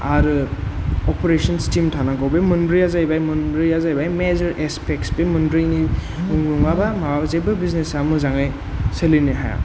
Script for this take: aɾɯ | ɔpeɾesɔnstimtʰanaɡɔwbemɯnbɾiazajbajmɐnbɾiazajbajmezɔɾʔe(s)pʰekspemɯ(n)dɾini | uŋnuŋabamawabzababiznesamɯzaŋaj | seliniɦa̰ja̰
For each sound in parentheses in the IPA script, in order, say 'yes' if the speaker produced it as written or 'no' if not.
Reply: yes, yes

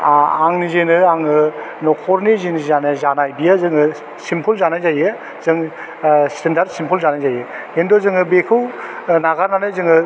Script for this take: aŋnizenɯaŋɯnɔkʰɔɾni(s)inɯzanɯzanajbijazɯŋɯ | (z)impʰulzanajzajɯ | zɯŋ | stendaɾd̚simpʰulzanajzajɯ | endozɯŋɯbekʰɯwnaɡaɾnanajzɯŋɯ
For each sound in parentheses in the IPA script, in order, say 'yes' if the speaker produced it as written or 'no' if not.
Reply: no, no

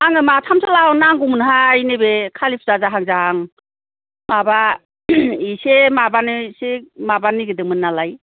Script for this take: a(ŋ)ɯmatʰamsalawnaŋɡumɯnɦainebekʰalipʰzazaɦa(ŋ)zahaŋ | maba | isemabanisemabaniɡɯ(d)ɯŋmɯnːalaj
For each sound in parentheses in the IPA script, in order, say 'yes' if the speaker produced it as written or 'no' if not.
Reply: yes, yes, yes

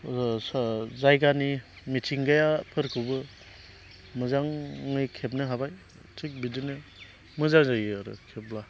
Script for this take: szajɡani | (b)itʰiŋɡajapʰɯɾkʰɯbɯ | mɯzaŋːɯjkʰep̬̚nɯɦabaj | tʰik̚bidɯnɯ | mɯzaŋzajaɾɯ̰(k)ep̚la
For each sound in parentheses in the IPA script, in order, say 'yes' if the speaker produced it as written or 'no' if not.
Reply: no, no

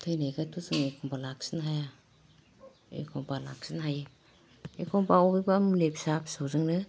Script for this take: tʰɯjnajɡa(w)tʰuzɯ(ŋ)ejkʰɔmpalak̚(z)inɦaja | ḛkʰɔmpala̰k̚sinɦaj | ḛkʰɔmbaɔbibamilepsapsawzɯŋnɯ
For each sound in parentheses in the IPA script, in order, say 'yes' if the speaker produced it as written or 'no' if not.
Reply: no, yes, no

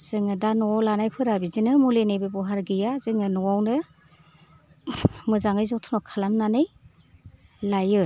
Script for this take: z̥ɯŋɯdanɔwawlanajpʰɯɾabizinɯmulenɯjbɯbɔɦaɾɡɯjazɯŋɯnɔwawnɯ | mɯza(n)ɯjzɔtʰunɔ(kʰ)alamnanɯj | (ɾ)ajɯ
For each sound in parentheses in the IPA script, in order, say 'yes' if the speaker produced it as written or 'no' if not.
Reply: no, yes, no

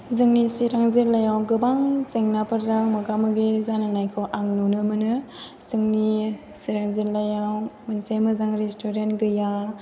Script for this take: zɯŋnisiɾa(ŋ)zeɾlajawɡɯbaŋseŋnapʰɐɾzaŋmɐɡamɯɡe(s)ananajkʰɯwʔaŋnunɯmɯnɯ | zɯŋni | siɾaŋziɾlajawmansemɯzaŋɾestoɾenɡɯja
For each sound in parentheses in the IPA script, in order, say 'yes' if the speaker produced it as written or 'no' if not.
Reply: yes, no

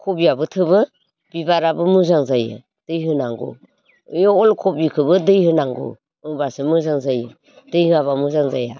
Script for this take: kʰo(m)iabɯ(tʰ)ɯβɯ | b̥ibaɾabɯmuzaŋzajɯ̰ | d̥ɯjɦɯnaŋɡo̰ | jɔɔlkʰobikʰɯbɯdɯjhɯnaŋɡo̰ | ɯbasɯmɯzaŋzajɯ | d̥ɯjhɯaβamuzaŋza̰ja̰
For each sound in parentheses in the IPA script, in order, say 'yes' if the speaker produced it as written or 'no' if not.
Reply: no, yes

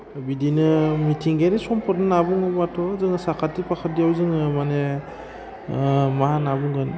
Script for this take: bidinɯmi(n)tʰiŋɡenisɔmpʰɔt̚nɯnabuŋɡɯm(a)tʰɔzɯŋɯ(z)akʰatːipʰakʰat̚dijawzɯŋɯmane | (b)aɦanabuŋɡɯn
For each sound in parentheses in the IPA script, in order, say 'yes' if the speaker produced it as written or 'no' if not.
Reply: no, yes, no, no

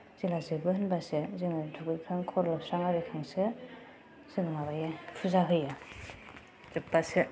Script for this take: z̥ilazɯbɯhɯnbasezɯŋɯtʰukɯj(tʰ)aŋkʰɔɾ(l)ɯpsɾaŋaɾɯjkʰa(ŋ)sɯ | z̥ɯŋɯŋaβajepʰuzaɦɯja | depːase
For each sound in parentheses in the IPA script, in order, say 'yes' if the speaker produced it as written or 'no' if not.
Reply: no, yes, yes

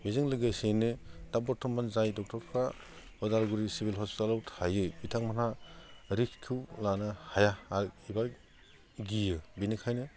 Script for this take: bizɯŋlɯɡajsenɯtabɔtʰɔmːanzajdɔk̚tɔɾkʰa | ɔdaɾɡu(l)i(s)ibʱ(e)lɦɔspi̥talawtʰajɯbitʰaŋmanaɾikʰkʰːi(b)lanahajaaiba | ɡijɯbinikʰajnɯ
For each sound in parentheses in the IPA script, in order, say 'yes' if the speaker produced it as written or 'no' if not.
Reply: no, yes, no, no

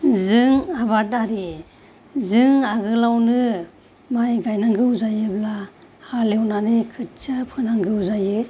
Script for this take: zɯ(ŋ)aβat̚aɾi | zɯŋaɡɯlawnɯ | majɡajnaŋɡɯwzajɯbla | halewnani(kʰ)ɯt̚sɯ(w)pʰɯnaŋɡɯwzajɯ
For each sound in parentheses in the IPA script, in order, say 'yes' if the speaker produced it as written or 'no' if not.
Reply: yes, yes, no

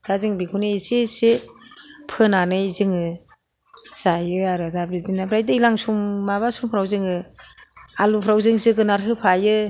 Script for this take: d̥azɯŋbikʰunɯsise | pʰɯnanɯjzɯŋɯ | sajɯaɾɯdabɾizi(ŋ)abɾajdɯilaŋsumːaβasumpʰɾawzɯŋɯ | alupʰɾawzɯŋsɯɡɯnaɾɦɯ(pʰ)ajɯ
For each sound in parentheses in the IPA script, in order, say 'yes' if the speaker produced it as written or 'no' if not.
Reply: no, yes

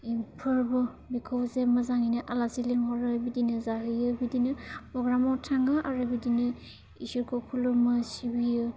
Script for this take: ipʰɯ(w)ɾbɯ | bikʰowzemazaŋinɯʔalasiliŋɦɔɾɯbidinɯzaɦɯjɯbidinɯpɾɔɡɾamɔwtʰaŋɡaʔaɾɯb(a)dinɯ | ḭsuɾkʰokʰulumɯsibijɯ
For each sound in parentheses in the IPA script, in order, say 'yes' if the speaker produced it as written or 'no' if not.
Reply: no, no

